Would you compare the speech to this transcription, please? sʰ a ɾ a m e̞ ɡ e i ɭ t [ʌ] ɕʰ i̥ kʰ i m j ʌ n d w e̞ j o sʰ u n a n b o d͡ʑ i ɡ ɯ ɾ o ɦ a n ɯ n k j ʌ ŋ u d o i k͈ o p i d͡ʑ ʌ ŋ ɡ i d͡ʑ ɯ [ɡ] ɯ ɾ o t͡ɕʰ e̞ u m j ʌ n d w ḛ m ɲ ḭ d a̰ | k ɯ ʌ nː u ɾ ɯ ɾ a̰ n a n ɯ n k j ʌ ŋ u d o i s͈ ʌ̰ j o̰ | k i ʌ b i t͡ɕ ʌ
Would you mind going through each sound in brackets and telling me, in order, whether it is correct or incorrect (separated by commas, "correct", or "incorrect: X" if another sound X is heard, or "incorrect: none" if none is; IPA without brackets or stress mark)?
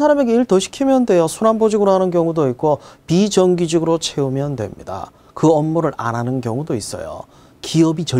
correct, correct